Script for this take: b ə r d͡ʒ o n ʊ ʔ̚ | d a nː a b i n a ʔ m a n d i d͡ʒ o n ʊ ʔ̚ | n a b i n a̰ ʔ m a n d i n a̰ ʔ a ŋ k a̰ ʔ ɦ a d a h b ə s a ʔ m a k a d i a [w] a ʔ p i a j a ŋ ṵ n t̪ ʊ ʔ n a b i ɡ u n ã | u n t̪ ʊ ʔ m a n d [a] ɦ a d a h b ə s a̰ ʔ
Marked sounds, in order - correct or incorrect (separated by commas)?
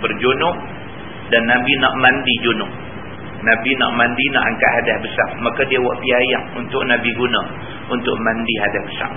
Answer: correct, incorrect